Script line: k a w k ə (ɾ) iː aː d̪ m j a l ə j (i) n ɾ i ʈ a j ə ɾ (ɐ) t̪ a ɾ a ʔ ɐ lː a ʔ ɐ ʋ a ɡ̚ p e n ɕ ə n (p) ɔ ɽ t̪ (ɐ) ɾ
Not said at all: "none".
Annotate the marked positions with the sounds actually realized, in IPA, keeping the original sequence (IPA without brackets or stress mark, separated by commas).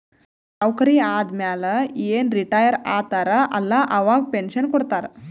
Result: ɾ, e, a, k, a